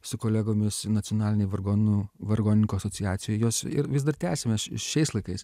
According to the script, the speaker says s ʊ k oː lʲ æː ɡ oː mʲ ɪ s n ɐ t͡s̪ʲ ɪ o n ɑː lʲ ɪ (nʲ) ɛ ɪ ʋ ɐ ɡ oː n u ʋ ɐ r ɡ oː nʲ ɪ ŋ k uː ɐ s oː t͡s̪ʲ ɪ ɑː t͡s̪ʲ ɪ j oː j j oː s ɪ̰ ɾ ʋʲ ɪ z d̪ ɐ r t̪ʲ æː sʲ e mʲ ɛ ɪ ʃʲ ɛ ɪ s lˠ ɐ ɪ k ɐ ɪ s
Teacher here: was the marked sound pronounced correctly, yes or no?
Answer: yes